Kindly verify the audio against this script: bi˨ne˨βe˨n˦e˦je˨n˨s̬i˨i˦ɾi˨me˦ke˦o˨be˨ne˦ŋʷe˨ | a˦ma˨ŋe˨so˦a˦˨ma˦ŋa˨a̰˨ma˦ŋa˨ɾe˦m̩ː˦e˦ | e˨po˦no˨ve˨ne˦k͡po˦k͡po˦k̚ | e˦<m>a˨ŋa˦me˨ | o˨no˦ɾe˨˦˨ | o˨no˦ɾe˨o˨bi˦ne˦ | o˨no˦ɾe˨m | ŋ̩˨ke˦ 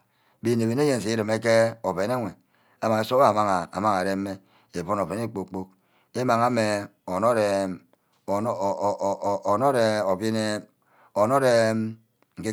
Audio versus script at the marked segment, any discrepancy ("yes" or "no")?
no